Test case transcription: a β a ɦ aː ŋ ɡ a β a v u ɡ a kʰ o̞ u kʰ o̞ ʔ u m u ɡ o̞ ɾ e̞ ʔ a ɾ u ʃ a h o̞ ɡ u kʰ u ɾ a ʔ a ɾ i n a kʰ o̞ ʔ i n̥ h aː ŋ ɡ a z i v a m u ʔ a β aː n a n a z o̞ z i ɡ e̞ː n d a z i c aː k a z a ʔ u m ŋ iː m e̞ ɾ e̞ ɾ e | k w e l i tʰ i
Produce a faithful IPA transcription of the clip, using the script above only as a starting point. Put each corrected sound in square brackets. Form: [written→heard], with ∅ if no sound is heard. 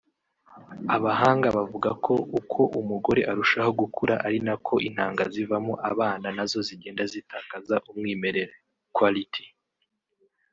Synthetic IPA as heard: a β a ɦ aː ŋ ɡ a β a v u ɡ a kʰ o̞ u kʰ o̞ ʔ u m u ɡ o̞ ɾ e̞ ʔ a ɾ u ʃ a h o̞ ɡ u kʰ u ɾ a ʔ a ɾ i n a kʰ o̞ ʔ i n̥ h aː ŋ ɡ a z i v a m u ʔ a β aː n a n a z o̞ z i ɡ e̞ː n d a z i [c→t] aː k a z a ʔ u m ŋ iː m e̞ ɾ e̞ ɾ e | k w [e→a] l i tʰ i

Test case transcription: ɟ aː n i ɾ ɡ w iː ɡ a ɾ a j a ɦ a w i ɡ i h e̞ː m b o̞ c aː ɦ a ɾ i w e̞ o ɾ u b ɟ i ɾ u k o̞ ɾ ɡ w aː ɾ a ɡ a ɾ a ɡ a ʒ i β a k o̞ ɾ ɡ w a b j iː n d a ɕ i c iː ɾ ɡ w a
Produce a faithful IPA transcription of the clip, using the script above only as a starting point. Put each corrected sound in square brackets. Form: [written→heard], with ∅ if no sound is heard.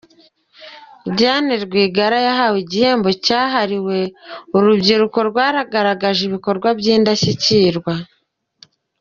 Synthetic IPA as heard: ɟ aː n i ɾ ɡ w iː ɡ a ɾ a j a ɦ a w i [ɡ→ɟ] i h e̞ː m b o̞ c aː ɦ a ɾ i w e̞ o ɾ u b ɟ i ɾ u k o̞ ɾ ɡ w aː ɾ a ɡ a ɾ a ɡ a ʒ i β [a→i] k o̞ ɾ ɡ w a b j iː n d a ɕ i c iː ɾ ɡ w a

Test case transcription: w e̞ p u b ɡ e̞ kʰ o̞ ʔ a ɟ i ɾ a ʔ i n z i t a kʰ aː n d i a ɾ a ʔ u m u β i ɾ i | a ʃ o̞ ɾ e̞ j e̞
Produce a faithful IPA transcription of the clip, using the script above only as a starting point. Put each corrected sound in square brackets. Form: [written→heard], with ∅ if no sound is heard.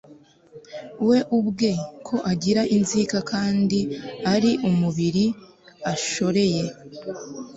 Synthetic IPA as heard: w e̞ [p→ʔ] u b ɡ e̞ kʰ o̞ ʔ a ɟ i ɾ a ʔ i n z i [t→k] a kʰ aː n d i a ɾ [a→i] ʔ u m u β i ɾ i | a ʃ o̞ ɾ e̞ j e̞

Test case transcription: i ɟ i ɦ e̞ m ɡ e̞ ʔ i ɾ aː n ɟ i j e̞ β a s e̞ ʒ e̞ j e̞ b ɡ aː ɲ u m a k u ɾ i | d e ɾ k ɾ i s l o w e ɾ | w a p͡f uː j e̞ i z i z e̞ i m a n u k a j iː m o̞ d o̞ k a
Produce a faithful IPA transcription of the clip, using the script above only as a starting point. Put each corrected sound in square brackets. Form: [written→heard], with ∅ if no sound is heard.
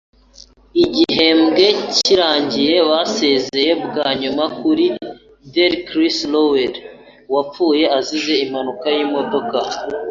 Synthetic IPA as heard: i ɟ i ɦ e̞ m ɡ e̞ [ʔ→c] i ɾ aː [n→ɲ] ɟ i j e̞ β a s e̞ [ʒ→z] e̞ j e̞ b ɡ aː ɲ u m a k u ɾ i | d e ɾ k ɾ i s l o w e ɾ | w a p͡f uː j e̞ [i→a] z i z e̞ i m a n u k a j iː m o̞ d o̞ k a

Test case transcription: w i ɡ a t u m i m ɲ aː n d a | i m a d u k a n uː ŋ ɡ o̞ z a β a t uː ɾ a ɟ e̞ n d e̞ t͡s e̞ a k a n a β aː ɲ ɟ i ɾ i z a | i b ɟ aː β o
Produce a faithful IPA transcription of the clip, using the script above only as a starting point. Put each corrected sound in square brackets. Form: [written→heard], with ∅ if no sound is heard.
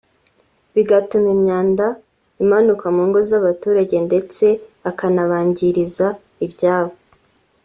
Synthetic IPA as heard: [w→β] i ɡ a t u m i m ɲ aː n d a | i m a [d→n] u k a [n→m] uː ŋ ɡ o̞ z a β a t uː ɾ a ɟ e̞ n d e̞ t͡s e̞ a k a n a β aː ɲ ɟ i ɾ i z a | i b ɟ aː β o

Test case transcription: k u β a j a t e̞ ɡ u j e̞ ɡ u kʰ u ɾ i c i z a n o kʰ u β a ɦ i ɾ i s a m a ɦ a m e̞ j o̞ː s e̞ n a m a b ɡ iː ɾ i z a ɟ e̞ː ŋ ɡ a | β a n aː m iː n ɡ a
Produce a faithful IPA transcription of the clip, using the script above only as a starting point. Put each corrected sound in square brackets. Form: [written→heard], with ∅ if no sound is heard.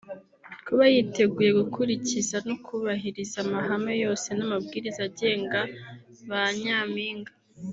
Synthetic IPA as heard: k u β a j [a→i] t e̞ ɡ u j e̞ ɡ u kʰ u ɾ i c i z a n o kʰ u β a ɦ i ɾ i [s→z] a m a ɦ a m e̞ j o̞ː s e̞ n a m a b ɡ iː ɾ i z a ɟ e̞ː ŋ ɡ a | β a [n→ɲ] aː m iː [n→ŋ] ɡ a

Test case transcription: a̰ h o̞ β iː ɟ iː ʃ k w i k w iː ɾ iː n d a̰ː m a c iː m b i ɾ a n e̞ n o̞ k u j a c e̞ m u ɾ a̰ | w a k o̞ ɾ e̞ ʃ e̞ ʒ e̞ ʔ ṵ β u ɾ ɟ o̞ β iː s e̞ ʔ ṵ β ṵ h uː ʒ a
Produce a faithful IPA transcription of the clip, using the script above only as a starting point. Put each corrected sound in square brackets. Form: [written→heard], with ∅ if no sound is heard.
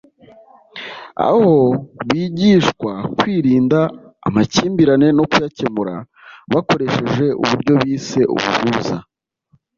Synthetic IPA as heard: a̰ h o̞ β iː ɟ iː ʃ k w [i→a] k w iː ɾ iː n d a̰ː m a c iː m b i ɾ a n e̞ n o̞ k u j a c e̞ m u ɾ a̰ | [w→β] a k o̞ ɾ e̞ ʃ e̞ ʒ e̞ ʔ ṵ β u ɾ ɟ o̞ β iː s e̞ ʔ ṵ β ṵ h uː [ʒ→z] a

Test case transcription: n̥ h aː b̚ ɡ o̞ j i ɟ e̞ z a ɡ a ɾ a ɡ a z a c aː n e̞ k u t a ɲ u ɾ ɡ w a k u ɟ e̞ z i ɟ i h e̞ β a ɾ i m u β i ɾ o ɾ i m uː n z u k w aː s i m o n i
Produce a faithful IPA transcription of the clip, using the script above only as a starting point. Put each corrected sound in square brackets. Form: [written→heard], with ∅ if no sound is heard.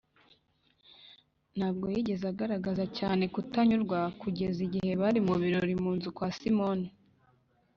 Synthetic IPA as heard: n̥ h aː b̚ ɡ o̞ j i ɟ e̞ z a ɡ a ɾ a ɡ a z a c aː n e̞ k u t a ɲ u ɾ ɡ w a k u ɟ e̞ z i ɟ i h e̞ β a ɾ i m u β i ɾ o ɾ i m uː n z u k w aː s i m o n i

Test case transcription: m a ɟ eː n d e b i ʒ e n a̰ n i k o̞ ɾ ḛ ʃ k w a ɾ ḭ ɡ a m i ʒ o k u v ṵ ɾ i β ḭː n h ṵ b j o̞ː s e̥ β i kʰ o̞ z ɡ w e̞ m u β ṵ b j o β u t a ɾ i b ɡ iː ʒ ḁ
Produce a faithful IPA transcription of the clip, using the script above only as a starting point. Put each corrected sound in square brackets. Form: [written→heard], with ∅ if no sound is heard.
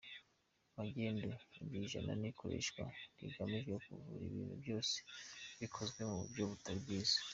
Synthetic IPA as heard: m a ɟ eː n d e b i ʒ [e→a] n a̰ n i k o̞ ɾ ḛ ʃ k w a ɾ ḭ ɡ a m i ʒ o k u v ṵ ɾ i β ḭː n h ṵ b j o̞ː s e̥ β i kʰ o̞ z ɡ w e̞ m u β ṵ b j o β u t a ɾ i b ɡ iː [ʒ→z] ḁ

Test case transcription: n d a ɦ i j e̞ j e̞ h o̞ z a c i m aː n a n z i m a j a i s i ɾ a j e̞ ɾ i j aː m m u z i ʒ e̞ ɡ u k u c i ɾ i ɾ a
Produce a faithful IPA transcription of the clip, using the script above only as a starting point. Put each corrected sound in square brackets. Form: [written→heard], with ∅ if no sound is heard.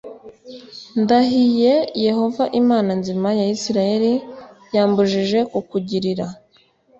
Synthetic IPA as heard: n d a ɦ i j e̞ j e̞ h o̞ [z→v] a [c→ʔ] i m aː n a n z i m a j a i s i ɾ a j e̞ ɾ i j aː m [m→b] u [z→ʒ] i ʒ e̞ [ɡ→k] u k u [c→ɟ] i ɾ i ɾ a

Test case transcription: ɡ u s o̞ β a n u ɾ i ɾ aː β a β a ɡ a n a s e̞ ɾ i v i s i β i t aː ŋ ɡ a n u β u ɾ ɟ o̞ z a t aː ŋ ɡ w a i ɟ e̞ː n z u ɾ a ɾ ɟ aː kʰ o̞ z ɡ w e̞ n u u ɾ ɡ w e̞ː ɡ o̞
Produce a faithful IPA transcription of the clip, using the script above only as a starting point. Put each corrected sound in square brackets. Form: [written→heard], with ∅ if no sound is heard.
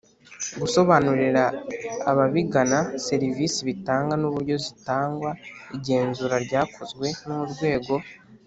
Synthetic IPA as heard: ɡ u s o̞ β a n u ɾ i ɾ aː β a β [a→i] ɡ a n a s e̞ ɾ i v i s i β i t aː ŋ ɡ a n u β u ɾ ɟ o̞ z [a→i] t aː ŋ ɡ w a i ɟ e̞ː n z u ɾ a ɾ ɟ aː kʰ o̞ z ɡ w e̞ n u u ɾ ɡ w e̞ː ɡ o̞

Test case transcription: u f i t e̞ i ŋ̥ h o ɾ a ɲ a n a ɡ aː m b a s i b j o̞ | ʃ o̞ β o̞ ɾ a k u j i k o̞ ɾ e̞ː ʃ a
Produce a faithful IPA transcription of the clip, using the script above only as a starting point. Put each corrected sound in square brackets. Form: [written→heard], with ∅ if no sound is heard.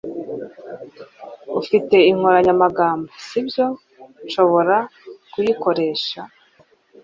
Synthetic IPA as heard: u f i t e̞ i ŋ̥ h o ɾ a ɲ a [n→m] a ɡ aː m b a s i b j o̞ | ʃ o̞ β o̞ ɾ a k u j i k o̞ ɾ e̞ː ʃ a

